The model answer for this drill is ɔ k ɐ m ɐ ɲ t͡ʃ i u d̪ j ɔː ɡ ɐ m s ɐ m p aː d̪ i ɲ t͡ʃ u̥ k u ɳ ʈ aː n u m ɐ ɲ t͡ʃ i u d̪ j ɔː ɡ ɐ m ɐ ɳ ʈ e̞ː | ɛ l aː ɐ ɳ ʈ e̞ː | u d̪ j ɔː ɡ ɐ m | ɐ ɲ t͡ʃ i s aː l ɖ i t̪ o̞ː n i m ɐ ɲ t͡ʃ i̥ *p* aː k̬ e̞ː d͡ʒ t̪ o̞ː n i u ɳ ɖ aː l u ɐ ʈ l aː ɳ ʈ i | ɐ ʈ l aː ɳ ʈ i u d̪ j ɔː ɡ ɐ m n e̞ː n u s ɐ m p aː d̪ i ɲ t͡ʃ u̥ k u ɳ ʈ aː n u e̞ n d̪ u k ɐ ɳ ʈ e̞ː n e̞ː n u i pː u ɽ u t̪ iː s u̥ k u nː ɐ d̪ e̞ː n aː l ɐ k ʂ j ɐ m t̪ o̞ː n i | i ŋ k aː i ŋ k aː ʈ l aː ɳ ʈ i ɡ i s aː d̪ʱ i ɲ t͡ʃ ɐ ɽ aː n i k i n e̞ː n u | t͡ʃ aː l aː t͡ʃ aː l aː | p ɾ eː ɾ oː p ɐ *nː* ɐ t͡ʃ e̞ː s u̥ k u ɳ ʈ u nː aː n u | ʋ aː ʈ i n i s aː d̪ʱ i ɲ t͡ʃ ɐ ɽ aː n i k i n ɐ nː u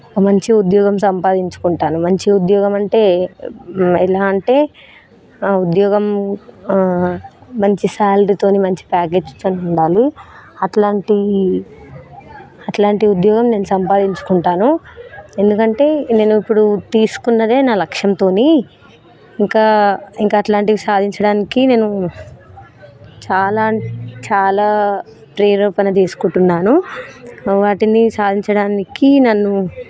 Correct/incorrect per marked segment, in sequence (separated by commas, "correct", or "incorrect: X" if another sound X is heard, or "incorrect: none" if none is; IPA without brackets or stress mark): correct, incorrect: n